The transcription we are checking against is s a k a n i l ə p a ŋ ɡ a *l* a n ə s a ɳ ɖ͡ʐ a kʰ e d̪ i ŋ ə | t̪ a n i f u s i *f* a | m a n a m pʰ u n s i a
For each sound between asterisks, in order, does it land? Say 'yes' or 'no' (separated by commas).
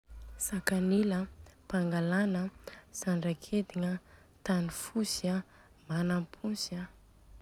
yes, no